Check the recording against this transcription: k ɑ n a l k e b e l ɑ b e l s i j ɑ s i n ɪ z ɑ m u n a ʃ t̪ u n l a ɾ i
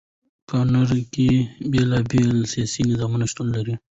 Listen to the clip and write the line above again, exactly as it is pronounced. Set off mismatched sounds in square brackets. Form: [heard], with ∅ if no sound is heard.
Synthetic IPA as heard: k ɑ n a [ɾ] k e b e l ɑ b e l s i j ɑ s i n ɪ z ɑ m u n a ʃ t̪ u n l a ɾ i